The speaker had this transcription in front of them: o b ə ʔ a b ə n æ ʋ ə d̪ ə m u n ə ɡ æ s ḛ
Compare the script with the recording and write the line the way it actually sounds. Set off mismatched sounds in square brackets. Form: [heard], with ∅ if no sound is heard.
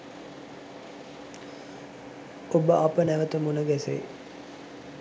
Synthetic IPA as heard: o b ə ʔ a [p] ə n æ ʋ ə [t̪] ə m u n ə ɡ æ s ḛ